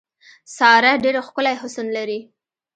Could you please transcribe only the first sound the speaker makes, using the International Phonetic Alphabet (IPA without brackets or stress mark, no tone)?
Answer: s